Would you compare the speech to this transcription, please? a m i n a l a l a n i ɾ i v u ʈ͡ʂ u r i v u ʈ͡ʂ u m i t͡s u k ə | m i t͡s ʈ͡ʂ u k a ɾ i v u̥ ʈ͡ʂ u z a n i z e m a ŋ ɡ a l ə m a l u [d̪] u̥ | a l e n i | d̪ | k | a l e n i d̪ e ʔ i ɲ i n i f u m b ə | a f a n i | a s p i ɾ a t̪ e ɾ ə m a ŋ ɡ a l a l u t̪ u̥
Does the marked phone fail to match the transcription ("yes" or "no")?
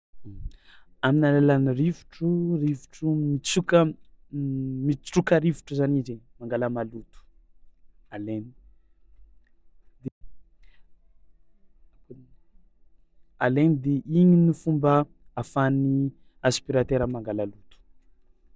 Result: yes